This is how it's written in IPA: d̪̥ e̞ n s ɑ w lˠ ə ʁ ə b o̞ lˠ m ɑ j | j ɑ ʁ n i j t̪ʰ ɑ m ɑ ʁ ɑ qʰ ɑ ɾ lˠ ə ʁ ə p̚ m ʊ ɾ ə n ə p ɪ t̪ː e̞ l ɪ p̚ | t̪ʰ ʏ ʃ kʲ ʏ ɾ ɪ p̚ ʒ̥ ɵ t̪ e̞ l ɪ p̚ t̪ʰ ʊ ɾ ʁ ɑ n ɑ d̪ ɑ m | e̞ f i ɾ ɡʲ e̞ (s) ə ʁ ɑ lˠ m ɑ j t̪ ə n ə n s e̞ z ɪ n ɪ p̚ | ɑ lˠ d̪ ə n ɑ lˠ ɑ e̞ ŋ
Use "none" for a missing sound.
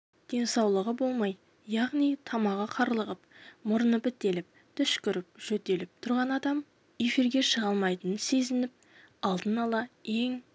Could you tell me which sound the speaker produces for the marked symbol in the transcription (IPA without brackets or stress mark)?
ʃ